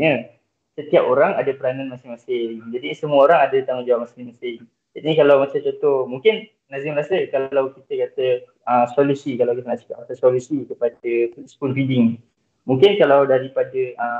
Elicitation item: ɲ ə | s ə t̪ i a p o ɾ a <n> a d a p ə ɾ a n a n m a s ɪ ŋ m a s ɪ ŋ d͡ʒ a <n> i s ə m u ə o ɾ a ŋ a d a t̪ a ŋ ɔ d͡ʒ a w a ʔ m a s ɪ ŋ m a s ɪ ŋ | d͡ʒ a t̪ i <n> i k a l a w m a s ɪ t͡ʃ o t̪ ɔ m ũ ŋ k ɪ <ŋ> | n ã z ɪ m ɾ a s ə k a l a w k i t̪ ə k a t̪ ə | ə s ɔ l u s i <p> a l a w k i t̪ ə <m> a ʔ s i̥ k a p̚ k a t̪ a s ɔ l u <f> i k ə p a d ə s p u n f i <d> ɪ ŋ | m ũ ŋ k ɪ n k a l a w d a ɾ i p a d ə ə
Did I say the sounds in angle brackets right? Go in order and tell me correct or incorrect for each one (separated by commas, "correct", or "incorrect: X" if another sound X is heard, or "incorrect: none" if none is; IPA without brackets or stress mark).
incorrect: ŋ, incorrect: d, correct, incorrect: n, incorrect: k, incorrect: n, incorrect: s, correct